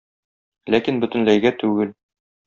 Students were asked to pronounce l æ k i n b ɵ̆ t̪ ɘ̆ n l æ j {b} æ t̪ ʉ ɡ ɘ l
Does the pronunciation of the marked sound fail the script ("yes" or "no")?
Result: yes